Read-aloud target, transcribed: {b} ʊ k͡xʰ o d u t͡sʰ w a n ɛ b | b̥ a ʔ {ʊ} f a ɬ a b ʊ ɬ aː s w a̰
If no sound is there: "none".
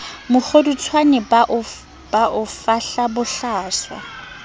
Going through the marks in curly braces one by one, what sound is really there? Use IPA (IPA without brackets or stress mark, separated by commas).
m, ʊ